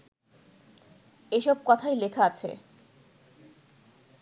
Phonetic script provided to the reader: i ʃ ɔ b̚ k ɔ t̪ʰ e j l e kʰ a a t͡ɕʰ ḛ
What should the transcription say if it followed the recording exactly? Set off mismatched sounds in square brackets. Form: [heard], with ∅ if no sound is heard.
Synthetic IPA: [e] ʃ ɔ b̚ k ɔ t̪ʰ [a] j l e kʰ a a t͡ɕʰ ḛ